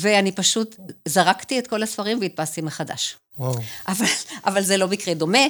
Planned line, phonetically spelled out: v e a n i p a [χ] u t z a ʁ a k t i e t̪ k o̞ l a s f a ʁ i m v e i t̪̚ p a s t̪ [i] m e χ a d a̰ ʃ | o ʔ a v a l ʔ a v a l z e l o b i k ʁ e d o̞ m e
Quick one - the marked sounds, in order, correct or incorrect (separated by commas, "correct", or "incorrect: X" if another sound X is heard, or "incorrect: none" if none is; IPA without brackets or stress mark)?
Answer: incorrect: ʃ, correct